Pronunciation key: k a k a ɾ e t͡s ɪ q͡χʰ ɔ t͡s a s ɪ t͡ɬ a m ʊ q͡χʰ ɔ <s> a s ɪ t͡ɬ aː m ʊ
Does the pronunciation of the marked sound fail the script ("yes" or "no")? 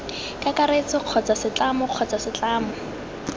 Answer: yes